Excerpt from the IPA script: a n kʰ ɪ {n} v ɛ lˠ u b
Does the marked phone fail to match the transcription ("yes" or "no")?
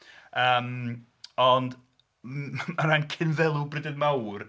no